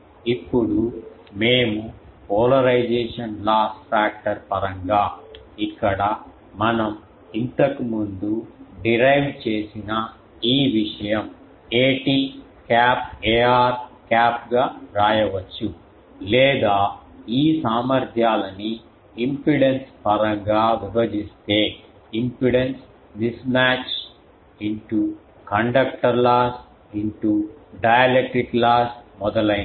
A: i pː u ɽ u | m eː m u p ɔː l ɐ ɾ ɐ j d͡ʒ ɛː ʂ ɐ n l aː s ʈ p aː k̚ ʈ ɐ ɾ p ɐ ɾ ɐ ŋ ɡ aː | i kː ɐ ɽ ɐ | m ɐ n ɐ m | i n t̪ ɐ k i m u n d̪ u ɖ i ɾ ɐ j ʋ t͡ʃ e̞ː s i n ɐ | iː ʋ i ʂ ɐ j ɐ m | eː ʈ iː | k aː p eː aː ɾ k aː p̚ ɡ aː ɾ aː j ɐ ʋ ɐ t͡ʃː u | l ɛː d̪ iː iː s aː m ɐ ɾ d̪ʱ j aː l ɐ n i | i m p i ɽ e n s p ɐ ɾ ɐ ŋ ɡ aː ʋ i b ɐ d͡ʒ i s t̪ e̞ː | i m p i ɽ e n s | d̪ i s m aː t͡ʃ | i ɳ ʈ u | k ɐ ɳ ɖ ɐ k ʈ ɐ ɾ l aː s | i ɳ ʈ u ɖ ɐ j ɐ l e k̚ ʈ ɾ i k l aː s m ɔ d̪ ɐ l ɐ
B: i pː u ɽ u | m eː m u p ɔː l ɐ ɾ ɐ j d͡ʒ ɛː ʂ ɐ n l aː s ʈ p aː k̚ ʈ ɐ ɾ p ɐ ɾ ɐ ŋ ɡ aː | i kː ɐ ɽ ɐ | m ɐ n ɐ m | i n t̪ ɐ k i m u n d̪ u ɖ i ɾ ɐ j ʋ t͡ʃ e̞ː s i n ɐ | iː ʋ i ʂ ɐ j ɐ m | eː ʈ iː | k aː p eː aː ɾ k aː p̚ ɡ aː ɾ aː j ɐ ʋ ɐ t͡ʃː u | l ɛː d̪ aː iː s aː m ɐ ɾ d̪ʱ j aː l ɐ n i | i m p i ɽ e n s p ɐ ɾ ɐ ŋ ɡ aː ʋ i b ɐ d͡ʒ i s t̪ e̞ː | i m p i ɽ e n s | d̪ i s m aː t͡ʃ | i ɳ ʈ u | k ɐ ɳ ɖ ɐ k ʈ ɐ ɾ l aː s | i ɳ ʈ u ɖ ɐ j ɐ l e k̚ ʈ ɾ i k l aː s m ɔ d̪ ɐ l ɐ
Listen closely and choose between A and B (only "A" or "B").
B